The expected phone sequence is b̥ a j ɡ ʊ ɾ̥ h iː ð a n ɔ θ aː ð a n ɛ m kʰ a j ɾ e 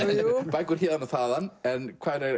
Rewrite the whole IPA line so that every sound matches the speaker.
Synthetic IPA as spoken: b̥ a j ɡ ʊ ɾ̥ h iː ð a n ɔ θ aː ð a n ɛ n kʰ a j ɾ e